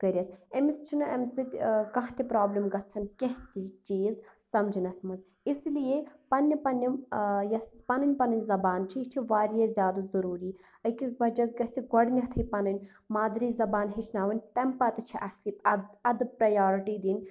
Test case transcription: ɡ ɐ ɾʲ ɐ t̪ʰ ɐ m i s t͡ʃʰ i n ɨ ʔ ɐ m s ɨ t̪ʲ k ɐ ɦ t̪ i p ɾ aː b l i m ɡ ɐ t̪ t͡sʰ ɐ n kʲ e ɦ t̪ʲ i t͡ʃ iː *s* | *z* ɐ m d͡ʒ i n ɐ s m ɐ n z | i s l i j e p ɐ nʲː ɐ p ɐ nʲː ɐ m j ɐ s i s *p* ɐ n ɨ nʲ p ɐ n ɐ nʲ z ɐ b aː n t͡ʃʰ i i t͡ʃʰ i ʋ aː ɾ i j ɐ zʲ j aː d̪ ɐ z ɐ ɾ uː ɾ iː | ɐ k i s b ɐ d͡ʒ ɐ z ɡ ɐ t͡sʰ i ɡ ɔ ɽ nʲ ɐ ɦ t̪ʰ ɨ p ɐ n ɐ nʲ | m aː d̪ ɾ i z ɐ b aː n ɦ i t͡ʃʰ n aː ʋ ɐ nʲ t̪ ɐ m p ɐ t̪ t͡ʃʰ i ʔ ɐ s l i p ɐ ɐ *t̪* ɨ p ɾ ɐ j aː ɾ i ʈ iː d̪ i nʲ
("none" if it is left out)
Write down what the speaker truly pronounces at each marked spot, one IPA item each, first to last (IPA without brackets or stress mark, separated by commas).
z, s, p, d̪